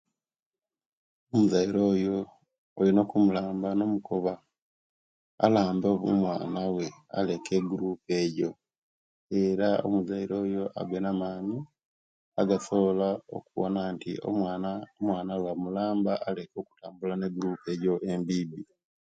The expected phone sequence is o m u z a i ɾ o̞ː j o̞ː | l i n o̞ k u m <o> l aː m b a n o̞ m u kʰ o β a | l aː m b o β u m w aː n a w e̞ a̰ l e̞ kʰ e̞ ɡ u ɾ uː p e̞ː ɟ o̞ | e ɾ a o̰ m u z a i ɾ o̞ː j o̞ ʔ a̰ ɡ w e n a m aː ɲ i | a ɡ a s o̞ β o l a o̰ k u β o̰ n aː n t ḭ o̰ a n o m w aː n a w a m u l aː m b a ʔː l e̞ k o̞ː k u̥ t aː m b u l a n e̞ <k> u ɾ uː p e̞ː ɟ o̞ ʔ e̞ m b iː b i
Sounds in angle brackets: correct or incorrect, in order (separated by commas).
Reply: incorrect, incorrect